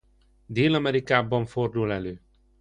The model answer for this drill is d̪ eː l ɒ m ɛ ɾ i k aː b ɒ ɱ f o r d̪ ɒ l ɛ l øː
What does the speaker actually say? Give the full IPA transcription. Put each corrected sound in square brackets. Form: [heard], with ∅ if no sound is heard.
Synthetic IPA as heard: d̪ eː l ɒ m ɛ ɾ i k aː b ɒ ɱ f o r d̪ [u] l ɛ l øː